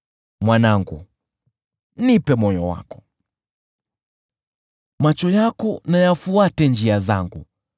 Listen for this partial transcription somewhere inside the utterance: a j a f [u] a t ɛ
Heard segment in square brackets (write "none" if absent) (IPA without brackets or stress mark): u